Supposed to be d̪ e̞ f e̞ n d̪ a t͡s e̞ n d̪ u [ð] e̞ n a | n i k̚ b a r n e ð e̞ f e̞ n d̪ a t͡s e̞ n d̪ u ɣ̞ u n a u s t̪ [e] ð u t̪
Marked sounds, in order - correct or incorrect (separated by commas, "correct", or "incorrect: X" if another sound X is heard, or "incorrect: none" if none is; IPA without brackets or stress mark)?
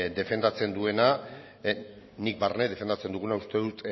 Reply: incorrect: none, correct